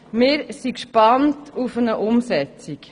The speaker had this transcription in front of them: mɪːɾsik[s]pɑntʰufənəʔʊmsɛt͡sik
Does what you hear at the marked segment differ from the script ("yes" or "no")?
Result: yes